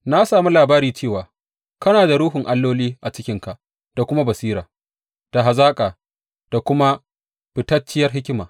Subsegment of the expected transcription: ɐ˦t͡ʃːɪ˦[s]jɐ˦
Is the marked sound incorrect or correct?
incorrect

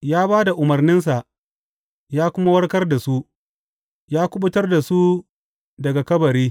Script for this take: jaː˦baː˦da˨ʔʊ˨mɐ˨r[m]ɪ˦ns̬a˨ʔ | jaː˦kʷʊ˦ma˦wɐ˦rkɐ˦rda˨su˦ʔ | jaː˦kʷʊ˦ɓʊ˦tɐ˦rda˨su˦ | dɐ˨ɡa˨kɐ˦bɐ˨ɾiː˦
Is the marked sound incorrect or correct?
incorrect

